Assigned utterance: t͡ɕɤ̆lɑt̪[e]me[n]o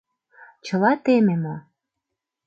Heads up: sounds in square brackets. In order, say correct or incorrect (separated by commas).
correct, incorrect